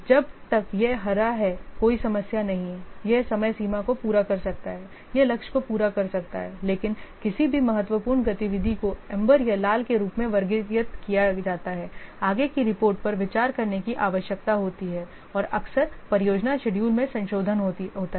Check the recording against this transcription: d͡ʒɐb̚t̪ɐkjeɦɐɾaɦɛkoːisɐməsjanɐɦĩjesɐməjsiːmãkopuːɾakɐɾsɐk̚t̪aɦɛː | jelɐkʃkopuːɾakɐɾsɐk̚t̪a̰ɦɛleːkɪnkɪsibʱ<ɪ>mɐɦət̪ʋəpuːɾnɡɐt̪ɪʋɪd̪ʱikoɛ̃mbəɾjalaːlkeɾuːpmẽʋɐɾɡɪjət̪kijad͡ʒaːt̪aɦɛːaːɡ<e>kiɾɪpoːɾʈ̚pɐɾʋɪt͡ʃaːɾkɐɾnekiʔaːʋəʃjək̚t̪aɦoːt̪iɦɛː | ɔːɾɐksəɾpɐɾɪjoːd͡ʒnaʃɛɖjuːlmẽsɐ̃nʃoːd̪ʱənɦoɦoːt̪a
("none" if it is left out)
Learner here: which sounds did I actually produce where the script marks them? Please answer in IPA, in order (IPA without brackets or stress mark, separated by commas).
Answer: i, e